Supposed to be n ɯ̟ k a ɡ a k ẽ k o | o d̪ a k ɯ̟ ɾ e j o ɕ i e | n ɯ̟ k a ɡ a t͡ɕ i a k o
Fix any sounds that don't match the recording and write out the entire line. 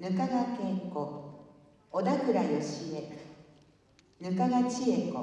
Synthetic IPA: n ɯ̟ k a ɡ a k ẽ k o | o d̪ a k ɯ̟ ɾ a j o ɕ i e | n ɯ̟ k a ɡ a t͡ɕ i e k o